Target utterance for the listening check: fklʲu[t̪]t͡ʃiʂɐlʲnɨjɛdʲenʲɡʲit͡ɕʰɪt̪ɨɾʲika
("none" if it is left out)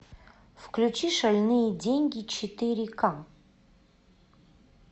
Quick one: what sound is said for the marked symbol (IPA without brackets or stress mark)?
none